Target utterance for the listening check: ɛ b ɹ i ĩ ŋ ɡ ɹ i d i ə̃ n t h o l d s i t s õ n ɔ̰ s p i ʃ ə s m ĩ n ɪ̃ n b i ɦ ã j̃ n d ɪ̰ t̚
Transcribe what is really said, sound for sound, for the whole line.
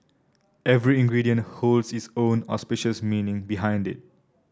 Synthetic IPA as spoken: ɛ v ɹ i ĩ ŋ ɡ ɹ i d i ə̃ n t h o l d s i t s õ n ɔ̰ s p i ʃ ə s m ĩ n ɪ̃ ŋ b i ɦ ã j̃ n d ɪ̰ t̚